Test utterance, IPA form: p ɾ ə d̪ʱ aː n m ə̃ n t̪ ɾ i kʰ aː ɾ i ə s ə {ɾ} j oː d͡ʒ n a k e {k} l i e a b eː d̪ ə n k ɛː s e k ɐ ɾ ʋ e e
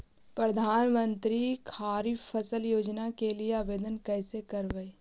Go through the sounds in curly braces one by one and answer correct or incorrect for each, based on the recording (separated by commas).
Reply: incorrect, incorrect